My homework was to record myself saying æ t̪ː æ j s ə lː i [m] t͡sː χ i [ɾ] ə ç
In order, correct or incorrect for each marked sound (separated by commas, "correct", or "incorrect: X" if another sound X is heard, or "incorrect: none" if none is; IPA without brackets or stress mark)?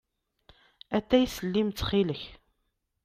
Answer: correct, incorrect: l